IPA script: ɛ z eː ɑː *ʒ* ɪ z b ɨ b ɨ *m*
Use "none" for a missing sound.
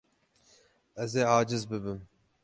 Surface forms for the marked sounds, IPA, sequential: d͡ʒ, m

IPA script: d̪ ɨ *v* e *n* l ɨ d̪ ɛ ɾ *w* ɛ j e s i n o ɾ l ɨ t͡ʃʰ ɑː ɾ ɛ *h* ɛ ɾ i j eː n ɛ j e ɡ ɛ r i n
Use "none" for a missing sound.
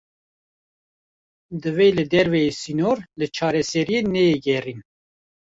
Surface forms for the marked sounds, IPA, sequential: v, none, v, s

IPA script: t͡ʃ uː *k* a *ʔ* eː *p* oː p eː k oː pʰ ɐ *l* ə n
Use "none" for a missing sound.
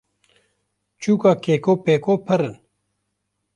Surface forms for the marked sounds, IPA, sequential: k, k, k, ɾ

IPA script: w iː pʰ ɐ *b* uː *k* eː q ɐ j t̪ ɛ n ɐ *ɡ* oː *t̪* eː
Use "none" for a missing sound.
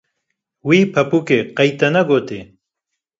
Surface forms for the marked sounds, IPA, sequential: p, k, ɡ, t̪

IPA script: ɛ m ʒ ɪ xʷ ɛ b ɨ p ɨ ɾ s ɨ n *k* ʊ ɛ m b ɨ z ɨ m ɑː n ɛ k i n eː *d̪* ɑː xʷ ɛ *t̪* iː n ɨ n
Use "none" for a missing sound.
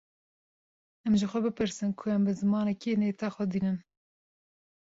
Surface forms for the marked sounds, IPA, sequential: kʰ, t̪, d̪

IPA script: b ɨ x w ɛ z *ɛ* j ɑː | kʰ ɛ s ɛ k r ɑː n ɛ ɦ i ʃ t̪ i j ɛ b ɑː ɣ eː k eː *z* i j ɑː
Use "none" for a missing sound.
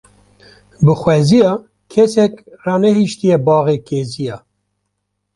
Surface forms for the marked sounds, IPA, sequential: i, z

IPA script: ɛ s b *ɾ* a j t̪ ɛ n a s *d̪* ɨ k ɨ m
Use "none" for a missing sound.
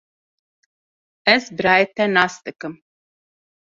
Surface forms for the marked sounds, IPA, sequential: ɾ, t̪

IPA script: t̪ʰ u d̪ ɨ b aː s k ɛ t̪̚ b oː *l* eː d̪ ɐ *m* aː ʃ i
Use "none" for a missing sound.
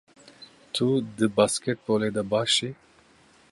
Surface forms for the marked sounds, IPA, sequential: l, b

